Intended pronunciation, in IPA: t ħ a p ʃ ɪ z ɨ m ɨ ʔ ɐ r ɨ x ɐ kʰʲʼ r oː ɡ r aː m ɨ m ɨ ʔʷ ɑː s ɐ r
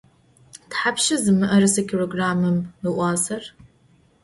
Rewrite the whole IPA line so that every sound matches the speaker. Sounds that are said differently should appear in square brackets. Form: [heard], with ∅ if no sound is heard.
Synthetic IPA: t ħ a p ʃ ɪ z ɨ m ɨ ʔ ɐ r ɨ [s] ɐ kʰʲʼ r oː ɡ r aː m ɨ m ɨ ʔʷ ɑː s ɐ r